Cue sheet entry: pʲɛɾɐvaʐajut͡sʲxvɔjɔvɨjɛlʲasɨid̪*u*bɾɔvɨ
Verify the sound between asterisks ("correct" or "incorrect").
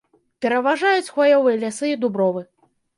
correct